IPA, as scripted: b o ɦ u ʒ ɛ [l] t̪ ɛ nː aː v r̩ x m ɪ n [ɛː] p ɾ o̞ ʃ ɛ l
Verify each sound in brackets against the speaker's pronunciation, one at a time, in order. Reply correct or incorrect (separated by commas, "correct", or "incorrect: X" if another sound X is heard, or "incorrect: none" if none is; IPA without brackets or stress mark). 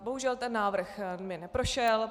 correct, incorrect: ɛ